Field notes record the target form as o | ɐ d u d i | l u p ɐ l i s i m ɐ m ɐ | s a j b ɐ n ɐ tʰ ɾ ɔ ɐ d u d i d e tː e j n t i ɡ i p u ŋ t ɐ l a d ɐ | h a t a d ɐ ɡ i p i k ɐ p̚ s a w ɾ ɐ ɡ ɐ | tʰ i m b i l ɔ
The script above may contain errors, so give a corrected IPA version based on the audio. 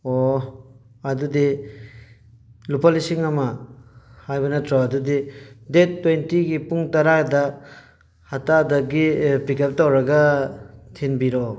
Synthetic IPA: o | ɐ d u d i | l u p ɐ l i s i ŋ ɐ m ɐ | h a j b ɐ n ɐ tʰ ɾ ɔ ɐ d u d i d e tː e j n t i ɡ i p u ŋ t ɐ ɾ a d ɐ | h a t a d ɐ ɡ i p i k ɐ p̚ t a w ɾ ɐ ɡ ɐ | tʰ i n b i ɾ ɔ